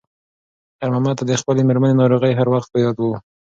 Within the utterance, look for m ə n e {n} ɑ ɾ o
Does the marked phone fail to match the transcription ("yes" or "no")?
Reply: no